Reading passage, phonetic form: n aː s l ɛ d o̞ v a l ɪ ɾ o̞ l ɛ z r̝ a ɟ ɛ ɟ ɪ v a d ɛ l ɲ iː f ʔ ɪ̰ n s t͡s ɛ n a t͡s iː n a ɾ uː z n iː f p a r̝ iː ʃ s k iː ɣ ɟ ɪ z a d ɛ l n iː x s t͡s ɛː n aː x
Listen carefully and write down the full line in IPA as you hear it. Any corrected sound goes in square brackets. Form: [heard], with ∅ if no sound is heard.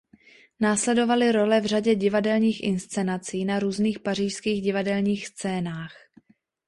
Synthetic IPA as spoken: n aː s l ɛ d o̞ v a l ɪ ɾ o̞ l ɛ [v] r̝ a ɟ ɛ ɟ ɪ v a d ɛ l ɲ iː [x] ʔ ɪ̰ n s t͡s ɛ n a t͡s iː n a ɾ uː z n iː [x] p a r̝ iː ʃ s k iː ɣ ɟ ɪ [v] a d ɛ l [ɲ] iː x s t͡s ɛː n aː x

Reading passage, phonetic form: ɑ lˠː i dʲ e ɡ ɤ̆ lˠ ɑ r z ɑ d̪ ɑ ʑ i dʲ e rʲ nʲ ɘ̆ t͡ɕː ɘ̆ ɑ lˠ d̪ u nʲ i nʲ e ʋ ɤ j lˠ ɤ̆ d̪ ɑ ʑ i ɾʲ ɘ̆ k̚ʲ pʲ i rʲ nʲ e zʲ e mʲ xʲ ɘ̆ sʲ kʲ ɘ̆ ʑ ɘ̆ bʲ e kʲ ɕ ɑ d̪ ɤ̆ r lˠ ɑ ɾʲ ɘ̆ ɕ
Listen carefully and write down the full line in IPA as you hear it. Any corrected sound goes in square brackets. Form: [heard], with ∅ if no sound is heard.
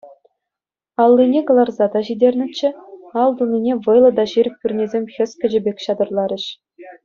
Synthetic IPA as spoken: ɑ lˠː i [nʲ] e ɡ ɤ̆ lˠ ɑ r z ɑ d̪ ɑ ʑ i dʲ e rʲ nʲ ɘ̆ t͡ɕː ɘ̆ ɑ lˠ d̪ u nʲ i nʲ e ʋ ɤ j lˠ ɤ̆ d̪ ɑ ʑ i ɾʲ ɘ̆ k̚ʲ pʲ [y] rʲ nʲ e zʲ e mʲ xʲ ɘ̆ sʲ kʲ ɘ̆ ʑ ɘ̆ bʲ e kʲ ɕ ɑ d̪ ɤ̆ r lˠ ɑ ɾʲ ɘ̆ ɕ

